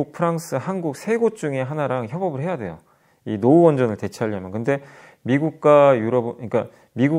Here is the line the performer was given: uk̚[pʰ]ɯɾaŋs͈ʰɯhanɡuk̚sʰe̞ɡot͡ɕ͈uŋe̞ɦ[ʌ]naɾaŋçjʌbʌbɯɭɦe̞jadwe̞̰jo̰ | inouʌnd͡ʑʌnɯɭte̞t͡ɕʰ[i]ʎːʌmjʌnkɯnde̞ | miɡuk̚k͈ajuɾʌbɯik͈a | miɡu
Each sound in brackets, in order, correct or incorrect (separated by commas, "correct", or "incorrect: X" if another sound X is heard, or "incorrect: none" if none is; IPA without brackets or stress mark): correct, incorrect: a, incorrect: a